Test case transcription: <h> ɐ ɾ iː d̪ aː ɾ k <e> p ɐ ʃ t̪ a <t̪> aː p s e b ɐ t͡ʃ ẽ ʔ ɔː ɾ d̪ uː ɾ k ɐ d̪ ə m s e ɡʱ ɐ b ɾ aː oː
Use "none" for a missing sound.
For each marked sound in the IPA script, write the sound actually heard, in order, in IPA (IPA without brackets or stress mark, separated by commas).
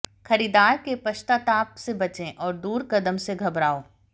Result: x, e, t̪